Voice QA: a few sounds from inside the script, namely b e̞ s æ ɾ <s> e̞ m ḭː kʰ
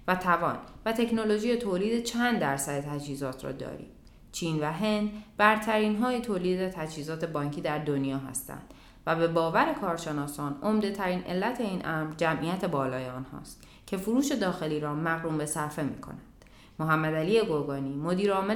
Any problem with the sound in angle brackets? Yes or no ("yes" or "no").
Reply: yes